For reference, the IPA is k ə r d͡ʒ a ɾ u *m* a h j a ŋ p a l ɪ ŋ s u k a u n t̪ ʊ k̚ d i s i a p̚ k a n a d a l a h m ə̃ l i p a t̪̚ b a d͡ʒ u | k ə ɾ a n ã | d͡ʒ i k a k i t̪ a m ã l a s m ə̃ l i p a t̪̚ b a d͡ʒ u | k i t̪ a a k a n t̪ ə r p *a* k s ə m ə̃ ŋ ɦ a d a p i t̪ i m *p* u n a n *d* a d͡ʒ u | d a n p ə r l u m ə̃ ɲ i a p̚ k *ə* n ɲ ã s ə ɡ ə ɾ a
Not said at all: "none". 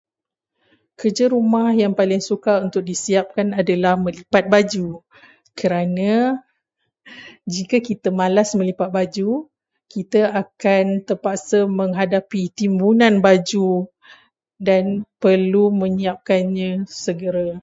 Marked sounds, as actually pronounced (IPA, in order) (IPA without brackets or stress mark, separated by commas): m, a, b, b, a